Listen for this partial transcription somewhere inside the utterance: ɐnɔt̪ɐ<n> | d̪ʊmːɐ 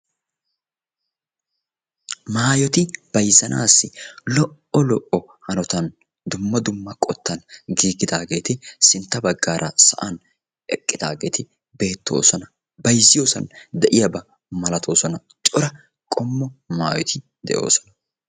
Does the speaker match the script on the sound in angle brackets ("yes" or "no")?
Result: yes